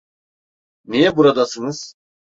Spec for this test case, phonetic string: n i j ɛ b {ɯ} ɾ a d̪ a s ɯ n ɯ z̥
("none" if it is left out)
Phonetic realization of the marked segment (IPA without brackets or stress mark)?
u